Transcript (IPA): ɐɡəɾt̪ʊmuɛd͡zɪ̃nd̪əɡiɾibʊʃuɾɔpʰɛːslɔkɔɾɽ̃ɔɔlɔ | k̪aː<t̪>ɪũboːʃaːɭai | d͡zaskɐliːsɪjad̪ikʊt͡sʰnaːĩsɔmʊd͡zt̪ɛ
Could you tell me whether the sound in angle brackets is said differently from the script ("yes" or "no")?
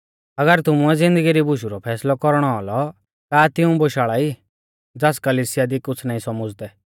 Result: no